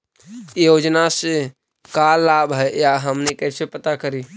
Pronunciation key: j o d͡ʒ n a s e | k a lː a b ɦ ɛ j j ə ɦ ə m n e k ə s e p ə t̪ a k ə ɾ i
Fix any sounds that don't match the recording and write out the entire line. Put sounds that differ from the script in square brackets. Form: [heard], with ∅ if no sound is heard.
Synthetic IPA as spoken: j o d͡ʒ n a s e | k a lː a b ɦ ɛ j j [a] ɦ ə m n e k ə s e p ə t̪ a k ə ɾ i